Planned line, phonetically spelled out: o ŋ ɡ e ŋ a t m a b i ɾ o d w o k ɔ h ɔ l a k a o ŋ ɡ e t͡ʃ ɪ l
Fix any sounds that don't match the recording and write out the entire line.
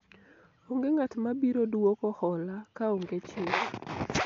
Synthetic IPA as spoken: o ŋ ɡ e ŋ a t m a b i ɾ o d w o k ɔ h ɔ l a k a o ŋ ɡ e t͡ʃ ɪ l